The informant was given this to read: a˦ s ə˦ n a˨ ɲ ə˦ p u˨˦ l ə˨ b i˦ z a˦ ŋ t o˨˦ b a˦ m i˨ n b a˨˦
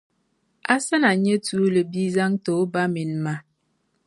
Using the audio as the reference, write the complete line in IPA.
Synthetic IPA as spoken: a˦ s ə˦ n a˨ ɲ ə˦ t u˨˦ l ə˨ b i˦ z a˦ ŋ t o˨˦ b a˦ m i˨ n m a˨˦